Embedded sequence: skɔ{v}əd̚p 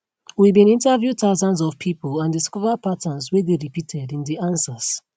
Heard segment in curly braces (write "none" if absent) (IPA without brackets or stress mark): v